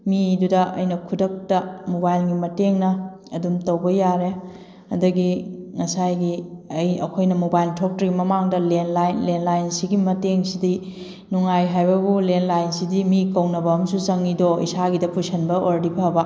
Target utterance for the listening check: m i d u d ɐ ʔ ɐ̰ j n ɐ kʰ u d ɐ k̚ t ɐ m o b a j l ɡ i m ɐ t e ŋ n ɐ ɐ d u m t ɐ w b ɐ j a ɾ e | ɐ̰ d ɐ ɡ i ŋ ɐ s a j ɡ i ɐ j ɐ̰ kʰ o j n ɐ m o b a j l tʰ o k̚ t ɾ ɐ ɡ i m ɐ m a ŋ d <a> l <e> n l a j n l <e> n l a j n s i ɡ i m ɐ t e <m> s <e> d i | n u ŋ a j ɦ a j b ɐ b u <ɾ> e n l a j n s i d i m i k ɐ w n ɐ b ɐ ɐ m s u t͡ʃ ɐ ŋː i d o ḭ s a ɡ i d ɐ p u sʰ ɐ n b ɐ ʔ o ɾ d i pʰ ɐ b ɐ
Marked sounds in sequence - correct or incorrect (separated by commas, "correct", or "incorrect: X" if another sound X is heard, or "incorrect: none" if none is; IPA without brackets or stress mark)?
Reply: incorrect: ɐ, correct, correct, incorrect: ŋ, incorrect: i, incorrect: l